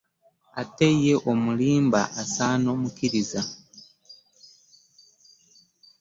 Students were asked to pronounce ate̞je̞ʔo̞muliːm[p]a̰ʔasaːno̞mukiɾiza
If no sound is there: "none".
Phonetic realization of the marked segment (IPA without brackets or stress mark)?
b